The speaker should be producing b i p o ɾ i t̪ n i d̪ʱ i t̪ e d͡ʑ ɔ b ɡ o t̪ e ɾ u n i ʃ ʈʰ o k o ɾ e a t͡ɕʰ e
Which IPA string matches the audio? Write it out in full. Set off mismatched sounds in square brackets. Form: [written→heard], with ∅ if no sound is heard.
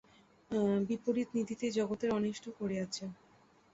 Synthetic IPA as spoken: b i p o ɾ i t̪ n i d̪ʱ i t̪ e d͡ʑ ɔ [b→∅] ɡ o t̪ e ɾ [u→ɔ] n i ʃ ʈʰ o k o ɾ e a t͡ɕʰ e